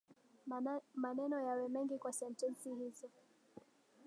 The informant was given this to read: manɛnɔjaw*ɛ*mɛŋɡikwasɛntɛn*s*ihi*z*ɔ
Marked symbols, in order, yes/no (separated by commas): yes, yes, yes